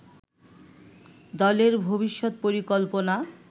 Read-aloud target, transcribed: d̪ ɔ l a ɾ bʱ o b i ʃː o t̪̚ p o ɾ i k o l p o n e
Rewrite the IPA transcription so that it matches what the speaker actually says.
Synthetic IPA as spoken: d̪ ɔ l e ɾ bʱ o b i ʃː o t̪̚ p o ɾ i k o l p o n a